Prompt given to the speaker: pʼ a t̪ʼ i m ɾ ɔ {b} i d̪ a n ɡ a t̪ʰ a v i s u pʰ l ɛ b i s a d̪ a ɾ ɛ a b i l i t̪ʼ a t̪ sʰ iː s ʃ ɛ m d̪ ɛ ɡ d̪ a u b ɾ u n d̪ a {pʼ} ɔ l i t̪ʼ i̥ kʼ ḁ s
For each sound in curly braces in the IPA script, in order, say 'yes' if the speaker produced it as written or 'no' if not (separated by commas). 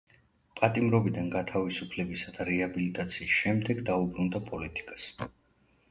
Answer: yes, yes